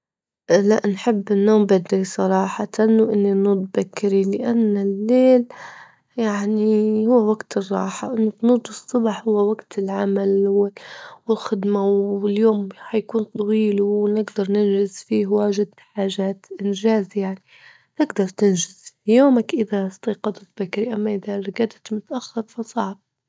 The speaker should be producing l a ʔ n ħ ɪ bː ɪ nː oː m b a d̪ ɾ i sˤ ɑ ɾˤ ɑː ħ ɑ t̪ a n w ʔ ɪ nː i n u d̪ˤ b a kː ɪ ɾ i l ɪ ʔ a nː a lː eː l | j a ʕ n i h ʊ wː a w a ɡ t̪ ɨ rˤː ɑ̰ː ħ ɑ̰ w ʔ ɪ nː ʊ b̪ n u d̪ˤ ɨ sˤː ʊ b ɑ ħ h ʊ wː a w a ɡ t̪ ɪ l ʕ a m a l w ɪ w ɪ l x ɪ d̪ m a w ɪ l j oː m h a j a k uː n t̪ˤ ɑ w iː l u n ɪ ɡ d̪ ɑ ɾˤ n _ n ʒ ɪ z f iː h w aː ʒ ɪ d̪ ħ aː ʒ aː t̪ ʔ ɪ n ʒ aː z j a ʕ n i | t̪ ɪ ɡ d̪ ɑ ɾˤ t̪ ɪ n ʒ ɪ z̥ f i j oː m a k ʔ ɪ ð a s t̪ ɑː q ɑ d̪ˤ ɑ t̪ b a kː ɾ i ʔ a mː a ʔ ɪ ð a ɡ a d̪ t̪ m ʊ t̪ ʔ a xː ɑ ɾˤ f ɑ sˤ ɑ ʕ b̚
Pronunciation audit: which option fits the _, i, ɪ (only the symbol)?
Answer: ɪ